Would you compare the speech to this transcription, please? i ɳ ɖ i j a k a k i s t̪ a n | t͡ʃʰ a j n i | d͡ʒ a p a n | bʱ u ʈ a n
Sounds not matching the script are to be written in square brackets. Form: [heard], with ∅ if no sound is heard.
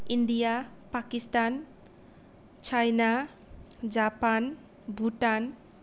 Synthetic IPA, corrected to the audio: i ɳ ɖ i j a [p] a k i s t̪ a n | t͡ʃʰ a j n [a] | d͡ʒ a p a n | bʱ u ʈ a n